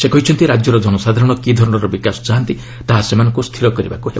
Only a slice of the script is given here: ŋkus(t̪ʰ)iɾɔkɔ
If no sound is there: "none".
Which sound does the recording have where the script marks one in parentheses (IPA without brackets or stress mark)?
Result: t̪ʰ